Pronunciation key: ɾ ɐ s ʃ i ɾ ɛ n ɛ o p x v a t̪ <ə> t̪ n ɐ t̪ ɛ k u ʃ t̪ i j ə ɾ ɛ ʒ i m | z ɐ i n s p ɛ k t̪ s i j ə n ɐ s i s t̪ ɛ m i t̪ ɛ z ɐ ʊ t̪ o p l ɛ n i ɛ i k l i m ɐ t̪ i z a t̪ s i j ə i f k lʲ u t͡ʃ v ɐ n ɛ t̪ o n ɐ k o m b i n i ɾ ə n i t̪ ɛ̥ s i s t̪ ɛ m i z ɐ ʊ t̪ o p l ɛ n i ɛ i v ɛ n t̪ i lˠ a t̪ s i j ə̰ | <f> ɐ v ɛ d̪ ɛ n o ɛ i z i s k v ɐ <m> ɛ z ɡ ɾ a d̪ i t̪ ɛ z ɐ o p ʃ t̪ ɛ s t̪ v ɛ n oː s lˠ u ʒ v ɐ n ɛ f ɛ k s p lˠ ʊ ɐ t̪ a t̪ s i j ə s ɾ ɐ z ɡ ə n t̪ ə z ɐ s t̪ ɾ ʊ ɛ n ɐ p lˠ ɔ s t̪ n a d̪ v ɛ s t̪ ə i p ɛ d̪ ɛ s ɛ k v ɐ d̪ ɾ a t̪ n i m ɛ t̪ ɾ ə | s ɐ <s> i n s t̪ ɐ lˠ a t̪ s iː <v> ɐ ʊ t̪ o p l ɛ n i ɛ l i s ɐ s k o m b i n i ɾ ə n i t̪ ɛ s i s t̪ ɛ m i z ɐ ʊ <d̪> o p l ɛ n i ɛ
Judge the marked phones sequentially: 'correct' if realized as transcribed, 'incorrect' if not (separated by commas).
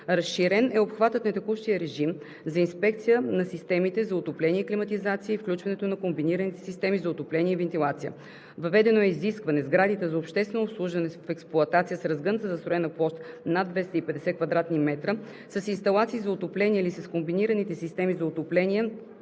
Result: correct, incorrect, incorrect, correct, incorrect, incorrect